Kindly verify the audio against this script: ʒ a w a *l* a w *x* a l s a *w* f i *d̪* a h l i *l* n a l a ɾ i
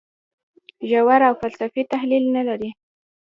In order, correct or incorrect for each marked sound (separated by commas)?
incorrect, incorrect, incorrect, incorrect, correct